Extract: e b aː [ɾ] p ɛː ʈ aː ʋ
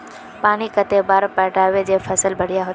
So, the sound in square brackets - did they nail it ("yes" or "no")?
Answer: yes